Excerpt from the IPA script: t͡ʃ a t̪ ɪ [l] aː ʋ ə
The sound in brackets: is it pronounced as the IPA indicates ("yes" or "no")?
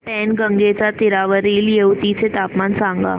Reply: no